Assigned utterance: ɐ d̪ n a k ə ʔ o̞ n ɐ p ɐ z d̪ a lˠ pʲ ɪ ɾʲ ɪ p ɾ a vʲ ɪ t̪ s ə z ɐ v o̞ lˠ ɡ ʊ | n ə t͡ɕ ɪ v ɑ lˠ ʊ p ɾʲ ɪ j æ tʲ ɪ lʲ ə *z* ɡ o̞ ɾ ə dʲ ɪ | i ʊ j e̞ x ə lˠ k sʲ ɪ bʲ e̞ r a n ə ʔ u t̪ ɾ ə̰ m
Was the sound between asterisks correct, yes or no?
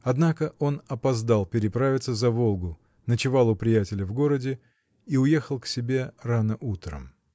no